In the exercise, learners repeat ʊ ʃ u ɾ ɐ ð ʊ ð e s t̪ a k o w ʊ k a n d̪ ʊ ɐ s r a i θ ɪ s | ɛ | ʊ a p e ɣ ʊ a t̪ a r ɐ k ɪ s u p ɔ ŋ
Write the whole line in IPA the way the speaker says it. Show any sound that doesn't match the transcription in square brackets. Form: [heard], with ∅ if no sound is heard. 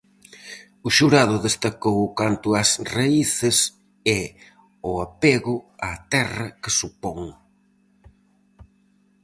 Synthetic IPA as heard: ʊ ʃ u ɾ [a] ð ʊ ð e s t̪ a k o w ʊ k a n [t̪] ʊ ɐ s r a i θ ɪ s | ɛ | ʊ a p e ɣ ʊ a t̪ [ɛ] r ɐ k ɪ s u p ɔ ŋ